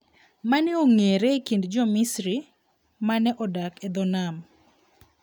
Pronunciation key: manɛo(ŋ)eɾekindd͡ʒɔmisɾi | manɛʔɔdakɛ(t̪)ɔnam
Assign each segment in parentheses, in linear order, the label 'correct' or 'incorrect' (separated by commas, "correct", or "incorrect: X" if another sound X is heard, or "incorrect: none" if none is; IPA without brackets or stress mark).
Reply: correct, incorrect: d̪